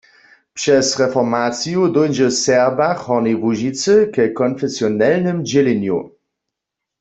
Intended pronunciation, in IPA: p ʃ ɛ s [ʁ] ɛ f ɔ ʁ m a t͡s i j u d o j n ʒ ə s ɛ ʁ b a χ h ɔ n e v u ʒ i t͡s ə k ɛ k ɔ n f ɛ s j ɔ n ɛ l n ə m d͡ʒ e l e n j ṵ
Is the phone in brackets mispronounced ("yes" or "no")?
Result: no